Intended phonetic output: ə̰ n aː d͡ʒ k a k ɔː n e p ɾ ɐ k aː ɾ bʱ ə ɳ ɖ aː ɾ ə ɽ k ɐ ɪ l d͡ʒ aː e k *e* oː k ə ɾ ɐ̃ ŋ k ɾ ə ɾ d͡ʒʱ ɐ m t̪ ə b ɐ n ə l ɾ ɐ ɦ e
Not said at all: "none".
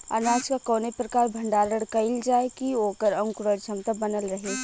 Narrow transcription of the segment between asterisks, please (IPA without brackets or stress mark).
i